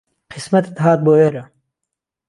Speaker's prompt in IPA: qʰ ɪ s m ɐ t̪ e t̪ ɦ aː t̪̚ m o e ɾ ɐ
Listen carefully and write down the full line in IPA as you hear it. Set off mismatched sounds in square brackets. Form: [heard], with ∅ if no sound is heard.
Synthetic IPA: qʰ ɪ s m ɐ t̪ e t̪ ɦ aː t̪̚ [b] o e ɾ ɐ